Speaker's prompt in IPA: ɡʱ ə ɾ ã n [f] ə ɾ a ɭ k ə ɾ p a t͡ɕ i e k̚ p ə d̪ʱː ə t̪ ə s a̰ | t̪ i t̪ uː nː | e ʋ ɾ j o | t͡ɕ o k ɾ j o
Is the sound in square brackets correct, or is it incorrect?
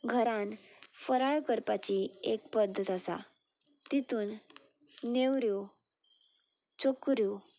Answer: correct